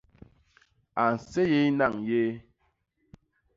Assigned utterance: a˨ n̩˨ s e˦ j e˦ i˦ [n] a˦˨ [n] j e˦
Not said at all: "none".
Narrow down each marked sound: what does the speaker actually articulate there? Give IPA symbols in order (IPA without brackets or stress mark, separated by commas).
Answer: n, ŋ